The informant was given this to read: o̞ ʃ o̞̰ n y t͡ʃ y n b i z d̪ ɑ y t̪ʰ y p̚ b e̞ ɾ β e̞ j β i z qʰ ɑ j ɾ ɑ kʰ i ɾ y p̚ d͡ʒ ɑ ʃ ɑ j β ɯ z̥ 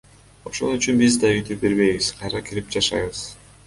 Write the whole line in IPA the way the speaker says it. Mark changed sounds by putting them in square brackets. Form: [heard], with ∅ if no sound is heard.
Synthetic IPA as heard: o̞ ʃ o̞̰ n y t͡ʃ y n b i z d̪ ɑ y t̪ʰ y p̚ b e̞ ɾ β e̞ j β i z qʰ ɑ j ɾ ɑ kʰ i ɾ [i] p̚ d͡ʒ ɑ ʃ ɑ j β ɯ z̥